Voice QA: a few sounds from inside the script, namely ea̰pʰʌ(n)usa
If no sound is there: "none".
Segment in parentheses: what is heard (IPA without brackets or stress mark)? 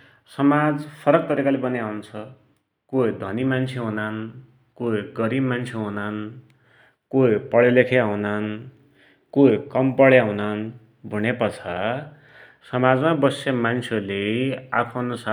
n